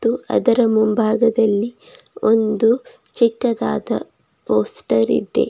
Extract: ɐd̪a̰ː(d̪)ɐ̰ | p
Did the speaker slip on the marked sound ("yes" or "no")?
no